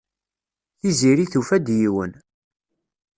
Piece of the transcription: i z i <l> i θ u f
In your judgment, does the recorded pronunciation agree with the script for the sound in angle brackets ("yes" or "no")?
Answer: no